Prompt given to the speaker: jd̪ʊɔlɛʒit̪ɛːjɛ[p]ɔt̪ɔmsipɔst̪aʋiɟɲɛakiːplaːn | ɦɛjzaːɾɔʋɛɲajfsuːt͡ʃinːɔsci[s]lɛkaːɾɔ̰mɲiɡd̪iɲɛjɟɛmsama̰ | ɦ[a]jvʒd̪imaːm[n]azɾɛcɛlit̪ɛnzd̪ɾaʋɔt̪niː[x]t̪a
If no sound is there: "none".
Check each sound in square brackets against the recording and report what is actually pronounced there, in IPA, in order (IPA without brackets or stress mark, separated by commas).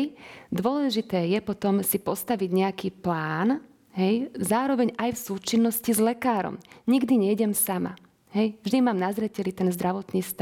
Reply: p, z, ɛ, n, s